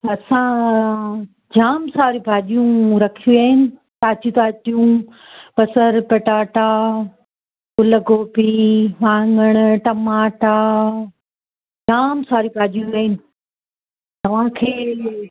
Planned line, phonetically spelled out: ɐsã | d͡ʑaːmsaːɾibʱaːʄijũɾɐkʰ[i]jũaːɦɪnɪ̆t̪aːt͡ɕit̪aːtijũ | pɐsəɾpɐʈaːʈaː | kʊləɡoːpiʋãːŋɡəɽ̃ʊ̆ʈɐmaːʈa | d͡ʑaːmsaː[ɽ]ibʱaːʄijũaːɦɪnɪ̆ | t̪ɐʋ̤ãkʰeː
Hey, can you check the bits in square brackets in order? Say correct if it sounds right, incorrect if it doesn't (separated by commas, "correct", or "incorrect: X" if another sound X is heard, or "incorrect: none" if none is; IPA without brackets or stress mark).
correct, incorrect: ɾ